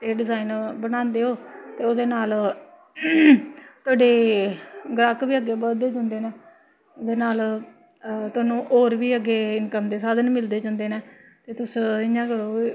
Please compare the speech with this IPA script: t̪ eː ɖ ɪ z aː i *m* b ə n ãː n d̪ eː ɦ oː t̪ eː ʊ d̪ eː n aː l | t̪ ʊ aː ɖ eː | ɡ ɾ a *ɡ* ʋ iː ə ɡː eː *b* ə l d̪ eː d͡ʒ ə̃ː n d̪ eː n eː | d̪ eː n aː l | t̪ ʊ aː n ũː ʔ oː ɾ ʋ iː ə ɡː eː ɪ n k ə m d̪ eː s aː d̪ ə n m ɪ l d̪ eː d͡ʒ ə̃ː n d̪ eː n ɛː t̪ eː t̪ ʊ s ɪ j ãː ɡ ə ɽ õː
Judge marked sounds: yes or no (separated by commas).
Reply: no, no, yes